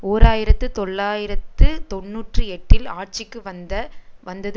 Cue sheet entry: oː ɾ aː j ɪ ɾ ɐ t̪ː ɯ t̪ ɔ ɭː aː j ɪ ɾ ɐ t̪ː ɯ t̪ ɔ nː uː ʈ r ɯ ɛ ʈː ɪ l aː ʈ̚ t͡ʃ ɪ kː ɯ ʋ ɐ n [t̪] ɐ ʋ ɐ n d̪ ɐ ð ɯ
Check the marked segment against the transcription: incorrect: d̪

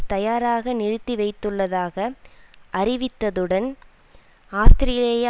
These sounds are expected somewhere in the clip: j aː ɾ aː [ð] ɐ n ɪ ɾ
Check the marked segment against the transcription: incorrect: ɣ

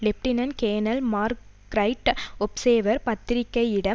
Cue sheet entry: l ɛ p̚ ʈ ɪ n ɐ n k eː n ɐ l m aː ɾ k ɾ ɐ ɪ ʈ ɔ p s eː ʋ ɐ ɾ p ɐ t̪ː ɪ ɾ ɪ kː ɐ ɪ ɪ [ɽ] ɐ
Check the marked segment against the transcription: correct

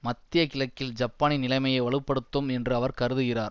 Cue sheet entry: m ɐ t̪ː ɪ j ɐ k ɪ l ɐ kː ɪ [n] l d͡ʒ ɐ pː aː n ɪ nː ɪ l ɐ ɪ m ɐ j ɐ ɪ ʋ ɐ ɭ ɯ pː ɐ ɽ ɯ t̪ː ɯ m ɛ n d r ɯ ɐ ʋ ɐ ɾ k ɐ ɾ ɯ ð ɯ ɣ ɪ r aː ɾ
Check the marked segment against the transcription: incorrect: none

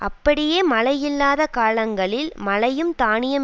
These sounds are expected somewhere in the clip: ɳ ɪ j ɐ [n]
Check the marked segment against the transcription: incorrect: m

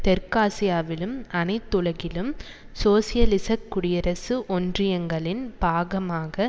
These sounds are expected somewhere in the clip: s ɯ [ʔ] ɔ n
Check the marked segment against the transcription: correct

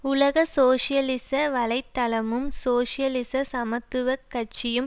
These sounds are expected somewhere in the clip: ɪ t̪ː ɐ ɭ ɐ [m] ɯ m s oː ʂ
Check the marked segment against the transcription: correct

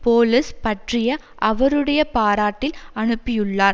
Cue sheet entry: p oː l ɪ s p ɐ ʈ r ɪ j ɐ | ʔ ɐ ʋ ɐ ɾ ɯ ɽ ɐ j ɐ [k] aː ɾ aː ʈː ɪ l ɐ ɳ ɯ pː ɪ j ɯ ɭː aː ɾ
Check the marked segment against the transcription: incorrect: p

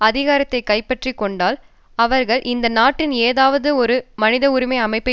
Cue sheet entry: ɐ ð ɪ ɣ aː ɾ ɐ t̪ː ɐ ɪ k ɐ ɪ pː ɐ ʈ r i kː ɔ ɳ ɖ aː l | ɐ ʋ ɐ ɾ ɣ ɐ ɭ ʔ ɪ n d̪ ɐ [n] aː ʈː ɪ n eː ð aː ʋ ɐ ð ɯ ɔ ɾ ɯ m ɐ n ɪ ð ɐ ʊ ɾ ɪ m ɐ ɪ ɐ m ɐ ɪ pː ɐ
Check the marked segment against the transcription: correct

